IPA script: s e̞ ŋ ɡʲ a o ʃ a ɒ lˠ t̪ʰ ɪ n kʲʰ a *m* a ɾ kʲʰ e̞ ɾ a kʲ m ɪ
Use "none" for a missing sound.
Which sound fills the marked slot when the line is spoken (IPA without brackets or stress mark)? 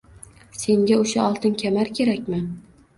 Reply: m